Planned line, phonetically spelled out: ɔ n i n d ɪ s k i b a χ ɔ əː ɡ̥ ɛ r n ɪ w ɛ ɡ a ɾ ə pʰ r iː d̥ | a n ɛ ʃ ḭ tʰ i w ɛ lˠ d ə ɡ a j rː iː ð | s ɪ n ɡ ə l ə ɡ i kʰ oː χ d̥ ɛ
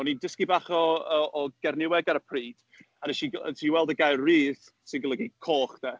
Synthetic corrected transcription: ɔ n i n d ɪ s k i b a χ ɔ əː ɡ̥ ɛ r n ɪ w ɛ ɡ a ɾ ə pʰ r iː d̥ | a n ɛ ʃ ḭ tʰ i w ɛ lˠ d ə ɡ a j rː iː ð | s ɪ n ɡ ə l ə ɡ i kʰ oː χ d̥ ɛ